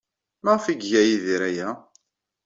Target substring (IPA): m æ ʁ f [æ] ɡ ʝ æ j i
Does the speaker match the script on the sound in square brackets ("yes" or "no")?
no